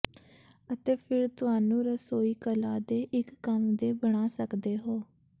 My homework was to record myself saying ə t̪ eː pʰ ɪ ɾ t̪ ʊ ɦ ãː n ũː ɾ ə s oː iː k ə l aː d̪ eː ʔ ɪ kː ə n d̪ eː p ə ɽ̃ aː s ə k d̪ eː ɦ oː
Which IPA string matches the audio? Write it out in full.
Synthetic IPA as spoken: ə t̪ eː pʰ ɪ ɾ t̪ ʊ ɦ aː n ũː ɾ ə s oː iː k ə l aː d̪ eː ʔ ɪ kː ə m d̪ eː b ə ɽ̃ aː s ə k d̪ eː ɦ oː